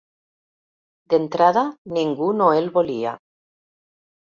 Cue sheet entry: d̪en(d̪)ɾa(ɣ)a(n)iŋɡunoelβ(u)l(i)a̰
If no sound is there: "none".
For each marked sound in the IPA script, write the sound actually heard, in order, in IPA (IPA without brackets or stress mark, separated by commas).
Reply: t̪, ð, n, o, i